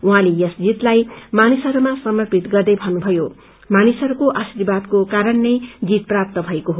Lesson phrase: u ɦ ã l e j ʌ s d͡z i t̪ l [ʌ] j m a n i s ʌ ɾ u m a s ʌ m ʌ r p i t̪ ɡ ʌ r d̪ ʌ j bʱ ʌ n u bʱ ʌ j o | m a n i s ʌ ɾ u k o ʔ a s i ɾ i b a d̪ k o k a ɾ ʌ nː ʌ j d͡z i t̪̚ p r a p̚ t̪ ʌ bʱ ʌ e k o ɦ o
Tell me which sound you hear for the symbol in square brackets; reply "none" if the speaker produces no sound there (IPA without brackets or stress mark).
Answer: a